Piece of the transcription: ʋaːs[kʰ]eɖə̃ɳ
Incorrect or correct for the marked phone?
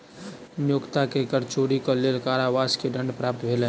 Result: incorrect: k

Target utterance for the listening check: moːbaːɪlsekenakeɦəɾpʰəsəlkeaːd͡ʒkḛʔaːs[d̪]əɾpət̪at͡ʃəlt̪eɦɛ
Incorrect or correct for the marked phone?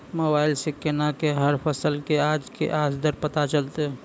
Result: correct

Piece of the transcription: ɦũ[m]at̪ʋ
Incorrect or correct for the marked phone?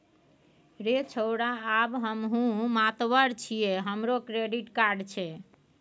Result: correct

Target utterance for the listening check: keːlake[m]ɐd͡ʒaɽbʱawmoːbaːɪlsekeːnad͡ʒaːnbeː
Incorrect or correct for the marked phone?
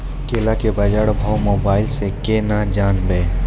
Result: incorrect: b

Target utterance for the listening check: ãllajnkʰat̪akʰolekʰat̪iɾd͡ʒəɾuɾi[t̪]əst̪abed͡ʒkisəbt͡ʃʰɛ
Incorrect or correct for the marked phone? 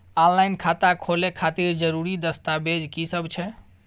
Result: incorrect: d̪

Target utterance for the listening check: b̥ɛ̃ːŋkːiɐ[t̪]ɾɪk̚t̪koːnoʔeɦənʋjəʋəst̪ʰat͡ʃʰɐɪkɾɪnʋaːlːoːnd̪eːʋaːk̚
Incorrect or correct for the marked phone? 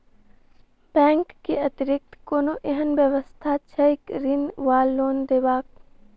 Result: correct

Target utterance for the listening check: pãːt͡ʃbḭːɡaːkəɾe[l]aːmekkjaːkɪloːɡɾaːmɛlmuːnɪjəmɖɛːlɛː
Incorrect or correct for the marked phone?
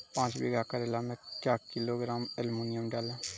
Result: correct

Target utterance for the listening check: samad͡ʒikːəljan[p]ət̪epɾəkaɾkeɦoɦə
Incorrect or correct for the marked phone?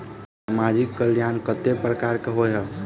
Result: incorrect: k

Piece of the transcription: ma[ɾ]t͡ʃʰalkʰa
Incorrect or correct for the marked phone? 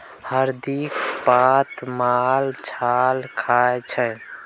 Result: incorrect: l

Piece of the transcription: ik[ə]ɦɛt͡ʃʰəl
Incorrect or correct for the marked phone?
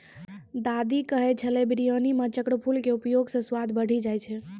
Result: correct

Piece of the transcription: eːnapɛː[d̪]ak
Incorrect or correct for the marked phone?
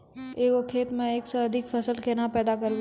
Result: correct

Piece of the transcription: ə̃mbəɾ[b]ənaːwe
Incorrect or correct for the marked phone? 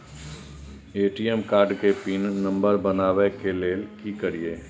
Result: correct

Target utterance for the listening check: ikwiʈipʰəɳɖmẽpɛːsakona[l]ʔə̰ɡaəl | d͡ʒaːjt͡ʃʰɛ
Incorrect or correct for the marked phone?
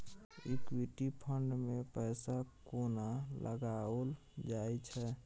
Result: correct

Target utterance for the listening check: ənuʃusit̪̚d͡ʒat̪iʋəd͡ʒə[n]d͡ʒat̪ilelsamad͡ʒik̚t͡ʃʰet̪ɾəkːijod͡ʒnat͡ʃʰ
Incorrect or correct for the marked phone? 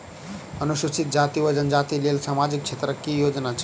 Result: correct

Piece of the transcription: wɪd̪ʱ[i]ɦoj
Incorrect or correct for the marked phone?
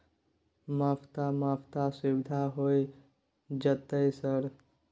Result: incorrect: a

